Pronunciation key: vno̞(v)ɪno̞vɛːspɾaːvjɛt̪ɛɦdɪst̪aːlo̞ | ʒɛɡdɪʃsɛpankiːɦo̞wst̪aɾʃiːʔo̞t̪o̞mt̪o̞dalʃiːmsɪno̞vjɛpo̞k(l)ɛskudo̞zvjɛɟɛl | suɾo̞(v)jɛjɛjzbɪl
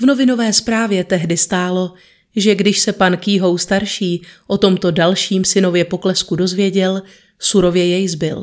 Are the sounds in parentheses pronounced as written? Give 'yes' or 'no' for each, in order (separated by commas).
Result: yes, yes, yes